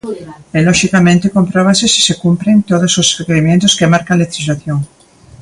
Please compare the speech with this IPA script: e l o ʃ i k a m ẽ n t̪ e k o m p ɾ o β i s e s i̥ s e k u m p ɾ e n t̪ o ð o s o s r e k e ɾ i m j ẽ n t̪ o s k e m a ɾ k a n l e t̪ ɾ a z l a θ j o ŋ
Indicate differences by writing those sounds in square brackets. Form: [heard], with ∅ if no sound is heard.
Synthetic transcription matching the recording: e l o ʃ i k a m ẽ n t̪ e k o m p ɾ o β [a] s e s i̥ s e k u m p ɾ e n t̪ o ð o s o s r e k e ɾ i m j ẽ n t̪ o s k e m a ɾ k a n l e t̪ ɾ [i] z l a θ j o ŋ